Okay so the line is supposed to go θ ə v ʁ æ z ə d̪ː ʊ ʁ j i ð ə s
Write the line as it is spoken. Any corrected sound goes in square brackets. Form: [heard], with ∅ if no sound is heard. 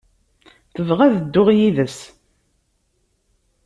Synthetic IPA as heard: θ ə v ʁ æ [ð] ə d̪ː ʊ ʁ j i ð ə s